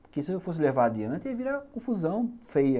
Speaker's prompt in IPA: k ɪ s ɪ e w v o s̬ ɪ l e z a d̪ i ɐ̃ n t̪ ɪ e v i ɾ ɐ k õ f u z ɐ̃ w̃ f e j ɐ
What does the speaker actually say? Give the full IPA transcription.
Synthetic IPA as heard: k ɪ s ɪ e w f o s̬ ɪ l e v a d̪ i ɐ̃ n t̪ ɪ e v i ɾ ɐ k õ f u z ɐ̃ w̃ f e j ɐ